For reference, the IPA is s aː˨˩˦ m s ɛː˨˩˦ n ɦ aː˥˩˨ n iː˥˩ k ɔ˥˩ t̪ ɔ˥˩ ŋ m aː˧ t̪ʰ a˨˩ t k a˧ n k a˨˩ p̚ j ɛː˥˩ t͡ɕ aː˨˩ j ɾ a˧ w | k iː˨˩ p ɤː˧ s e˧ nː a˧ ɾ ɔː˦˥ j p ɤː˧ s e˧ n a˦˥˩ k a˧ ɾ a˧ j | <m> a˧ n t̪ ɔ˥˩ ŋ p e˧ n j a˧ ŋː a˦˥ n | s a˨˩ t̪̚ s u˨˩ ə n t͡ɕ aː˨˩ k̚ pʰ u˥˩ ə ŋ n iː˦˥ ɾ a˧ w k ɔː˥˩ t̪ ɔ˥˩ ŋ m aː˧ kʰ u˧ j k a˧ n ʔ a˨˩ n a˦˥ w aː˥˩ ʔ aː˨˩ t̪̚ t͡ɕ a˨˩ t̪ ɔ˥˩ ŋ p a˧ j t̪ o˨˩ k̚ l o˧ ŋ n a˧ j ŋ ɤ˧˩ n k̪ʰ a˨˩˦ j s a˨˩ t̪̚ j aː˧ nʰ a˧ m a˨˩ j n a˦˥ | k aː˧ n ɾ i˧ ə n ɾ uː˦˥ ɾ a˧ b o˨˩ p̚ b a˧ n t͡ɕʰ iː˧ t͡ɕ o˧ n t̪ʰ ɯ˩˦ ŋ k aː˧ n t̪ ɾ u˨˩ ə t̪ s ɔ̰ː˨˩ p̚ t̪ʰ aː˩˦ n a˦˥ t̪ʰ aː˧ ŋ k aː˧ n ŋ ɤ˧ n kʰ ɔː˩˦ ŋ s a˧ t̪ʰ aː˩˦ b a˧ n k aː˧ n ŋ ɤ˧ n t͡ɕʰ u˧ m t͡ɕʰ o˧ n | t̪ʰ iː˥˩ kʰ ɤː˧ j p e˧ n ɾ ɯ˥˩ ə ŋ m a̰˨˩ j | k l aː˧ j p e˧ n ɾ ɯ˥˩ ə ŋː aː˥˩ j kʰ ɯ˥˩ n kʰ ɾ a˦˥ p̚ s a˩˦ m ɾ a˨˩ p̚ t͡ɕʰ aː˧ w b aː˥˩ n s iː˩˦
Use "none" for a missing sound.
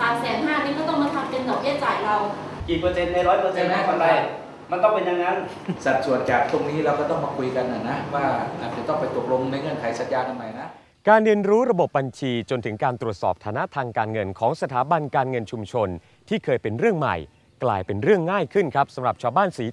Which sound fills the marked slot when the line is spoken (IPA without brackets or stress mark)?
m